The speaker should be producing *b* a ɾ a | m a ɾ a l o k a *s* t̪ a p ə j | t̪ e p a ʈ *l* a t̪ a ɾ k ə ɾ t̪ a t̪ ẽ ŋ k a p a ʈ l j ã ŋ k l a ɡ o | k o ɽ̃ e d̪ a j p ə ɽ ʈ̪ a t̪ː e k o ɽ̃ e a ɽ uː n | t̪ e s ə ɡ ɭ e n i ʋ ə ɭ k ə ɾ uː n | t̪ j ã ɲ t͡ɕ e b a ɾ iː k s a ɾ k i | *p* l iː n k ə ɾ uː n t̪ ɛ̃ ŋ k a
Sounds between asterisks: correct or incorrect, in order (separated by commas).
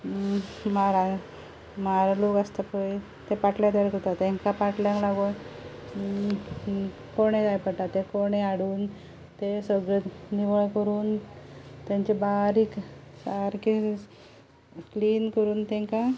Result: incorrect, correct, correct, incorrect